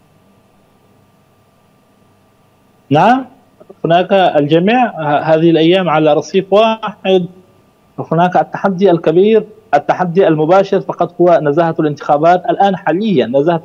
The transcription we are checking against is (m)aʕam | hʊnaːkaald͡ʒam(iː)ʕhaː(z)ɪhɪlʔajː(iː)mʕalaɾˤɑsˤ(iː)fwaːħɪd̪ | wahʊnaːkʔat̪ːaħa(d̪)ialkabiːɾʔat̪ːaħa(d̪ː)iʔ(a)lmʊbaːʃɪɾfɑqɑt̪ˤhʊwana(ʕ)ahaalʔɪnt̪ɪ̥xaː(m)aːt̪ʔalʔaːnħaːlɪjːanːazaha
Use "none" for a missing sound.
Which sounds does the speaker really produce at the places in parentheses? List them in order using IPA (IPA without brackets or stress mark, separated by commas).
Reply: n, iː, ð, aː, iː, d̪ː, d̪ː, a, z, b